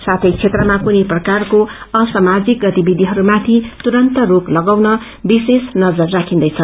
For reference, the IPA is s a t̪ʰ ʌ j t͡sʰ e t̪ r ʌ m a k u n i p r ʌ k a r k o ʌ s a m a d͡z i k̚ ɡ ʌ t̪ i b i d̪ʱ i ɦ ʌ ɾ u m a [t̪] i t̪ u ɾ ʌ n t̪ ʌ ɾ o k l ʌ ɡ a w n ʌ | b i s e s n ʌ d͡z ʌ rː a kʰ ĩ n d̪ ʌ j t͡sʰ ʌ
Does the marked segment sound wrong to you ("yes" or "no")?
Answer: yes